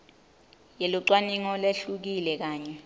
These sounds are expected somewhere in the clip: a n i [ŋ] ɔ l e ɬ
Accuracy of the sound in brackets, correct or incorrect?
correct